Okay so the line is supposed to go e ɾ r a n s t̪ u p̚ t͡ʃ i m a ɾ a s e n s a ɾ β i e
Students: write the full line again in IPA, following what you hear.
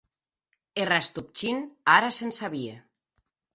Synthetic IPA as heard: e r a s t̪ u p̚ t͡ʃ i n a ɾ a s e n s a β i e